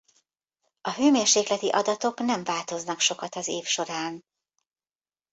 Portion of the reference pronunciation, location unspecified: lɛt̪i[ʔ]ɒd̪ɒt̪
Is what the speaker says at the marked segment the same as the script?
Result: yes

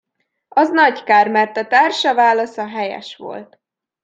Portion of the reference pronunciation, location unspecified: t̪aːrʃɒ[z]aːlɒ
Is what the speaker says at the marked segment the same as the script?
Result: no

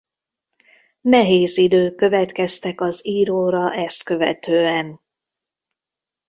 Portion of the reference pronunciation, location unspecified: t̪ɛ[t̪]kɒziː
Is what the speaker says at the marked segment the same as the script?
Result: no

